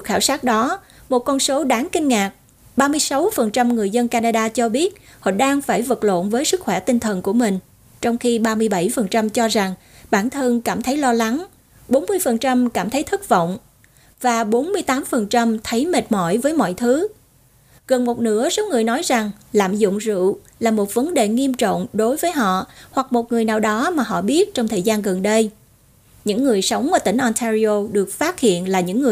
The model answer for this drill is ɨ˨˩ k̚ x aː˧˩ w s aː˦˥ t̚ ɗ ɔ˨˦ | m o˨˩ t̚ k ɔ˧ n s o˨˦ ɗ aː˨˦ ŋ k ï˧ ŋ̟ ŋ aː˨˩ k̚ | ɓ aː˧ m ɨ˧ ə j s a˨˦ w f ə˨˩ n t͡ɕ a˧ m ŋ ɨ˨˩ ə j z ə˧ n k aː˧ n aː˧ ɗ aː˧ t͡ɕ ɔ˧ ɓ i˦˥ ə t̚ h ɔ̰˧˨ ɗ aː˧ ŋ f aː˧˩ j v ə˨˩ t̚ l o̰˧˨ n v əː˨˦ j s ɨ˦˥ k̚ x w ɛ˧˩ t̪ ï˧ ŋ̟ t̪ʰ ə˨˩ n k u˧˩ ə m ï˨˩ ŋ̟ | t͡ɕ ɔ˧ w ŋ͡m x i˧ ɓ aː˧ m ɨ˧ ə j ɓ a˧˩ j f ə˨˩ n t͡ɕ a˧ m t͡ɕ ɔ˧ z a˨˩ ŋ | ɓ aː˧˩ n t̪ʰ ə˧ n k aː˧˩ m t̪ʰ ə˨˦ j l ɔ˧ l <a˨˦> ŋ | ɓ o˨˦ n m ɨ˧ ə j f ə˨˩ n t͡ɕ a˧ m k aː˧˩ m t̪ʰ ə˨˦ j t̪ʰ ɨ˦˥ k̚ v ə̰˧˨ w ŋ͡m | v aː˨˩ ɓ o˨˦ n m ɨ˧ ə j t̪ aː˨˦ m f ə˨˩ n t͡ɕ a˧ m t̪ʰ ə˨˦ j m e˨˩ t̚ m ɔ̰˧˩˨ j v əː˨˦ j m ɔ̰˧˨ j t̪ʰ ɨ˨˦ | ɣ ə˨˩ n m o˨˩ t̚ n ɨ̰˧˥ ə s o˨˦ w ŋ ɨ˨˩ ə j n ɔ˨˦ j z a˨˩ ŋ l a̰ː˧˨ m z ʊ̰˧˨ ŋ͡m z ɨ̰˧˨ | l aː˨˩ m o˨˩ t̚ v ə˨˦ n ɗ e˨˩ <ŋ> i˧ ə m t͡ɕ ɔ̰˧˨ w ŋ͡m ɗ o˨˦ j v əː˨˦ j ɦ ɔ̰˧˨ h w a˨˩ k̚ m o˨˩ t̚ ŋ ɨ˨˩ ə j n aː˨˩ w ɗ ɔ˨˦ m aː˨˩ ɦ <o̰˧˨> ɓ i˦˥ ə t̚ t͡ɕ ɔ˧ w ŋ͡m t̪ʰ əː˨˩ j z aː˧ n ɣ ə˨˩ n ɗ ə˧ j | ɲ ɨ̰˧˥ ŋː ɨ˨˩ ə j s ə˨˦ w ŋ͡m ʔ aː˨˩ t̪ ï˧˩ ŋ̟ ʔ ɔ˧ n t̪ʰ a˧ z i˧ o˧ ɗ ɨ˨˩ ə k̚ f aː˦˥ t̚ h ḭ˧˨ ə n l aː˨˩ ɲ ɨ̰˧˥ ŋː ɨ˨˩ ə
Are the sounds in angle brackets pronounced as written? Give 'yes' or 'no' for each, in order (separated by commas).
yes, yes, no